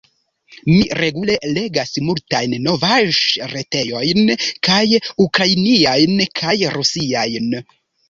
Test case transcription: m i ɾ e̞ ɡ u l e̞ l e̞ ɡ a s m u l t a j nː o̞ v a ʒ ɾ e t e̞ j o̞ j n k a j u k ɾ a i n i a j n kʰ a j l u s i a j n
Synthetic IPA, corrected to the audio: m i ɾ e̞ ɡ u l e̞ l e̞ ɡ a s m u l t a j nː o̞ v a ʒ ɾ e t e̞ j o̞ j n k a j u k ɾ a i n i a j n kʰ a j ɾ u s i a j n